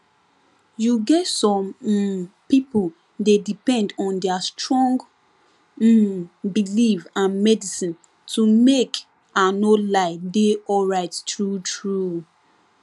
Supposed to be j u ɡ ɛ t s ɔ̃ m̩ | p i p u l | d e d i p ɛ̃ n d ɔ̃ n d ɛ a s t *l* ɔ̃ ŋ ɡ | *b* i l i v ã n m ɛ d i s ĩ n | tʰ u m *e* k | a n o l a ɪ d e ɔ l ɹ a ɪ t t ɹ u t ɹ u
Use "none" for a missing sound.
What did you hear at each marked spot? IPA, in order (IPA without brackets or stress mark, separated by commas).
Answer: ɹ, b, e